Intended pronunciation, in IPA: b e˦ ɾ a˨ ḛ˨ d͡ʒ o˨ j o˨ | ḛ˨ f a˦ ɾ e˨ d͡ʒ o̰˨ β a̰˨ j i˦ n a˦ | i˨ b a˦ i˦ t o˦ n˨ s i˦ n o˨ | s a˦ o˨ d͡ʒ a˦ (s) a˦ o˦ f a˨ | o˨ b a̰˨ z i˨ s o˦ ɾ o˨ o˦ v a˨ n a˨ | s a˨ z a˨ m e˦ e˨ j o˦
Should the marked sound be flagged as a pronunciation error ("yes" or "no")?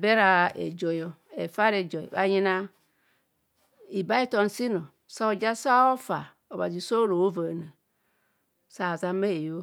no